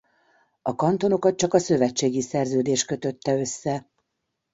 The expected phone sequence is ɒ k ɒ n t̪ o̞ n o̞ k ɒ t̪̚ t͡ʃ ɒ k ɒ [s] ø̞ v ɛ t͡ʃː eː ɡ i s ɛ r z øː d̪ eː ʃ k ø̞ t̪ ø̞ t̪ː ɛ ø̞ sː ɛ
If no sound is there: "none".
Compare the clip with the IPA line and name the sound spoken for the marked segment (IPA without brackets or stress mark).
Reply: s